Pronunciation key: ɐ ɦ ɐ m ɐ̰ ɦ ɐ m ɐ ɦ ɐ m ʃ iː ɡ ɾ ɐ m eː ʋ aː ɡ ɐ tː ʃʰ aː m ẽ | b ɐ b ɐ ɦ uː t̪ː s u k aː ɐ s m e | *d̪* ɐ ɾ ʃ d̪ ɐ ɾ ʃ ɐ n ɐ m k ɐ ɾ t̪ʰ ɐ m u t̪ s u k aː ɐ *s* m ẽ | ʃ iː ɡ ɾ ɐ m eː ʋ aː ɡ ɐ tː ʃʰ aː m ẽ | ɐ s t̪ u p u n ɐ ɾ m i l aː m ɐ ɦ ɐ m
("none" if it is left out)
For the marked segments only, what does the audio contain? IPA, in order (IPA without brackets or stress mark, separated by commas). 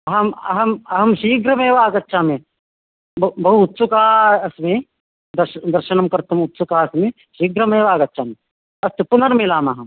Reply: d̪, s